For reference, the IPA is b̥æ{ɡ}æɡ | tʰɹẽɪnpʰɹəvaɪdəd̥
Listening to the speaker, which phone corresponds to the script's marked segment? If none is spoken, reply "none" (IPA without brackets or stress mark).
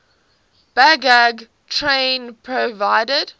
ɡ